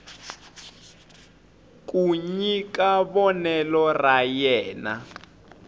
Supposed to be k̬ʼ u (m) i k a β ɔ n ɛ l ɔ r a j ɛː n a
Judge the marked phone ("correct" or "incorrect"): incorrect